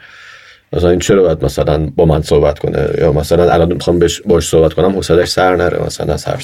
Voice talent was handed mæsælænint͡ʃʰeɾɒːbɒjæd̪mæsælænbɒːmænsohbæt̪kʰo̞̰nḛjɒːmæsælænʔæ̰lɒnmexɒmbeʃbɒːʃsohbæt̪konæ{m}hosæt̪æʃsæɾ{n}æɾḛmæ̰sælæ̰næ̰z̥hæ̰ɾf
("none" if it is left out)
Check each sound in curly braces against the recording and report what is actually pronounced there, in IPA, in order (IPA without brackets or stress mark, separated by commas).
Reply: m, n